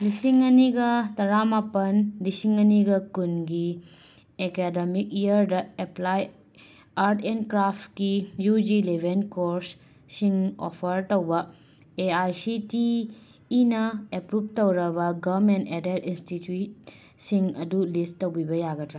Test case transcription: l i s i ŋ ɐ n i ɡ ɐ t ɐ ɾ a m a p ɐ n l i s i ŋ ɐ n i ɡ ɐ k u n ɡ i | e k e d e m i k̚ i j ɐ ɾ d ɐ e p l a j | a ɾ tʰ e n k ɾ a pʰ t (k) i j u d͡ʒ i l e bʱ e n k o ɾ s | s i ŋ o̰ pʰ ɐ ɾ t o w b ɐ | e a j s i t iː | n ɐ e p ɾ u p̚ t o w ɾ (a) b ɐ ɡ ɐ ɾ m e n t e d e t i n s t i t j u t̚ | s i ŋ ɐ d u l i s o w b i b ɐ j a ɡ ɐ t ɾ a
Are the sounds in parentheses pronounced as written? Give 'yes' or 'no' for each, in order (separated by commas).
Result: yes, no